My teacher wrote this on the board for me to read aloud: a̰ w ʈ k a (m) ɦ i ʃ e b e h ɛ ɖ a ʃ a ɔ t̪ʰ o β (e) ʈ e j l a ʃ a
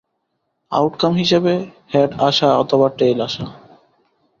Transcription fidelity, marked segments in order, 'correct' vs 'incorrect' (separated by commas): correct, incorrect